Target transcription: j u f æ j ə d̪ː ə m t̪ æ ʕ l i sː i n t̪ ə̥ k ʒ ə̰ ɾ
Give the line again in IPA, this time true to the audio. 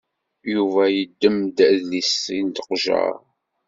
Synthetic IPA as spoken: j u v æ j ə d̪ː ə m d̪ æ ð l i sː i n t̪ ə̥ q ʒ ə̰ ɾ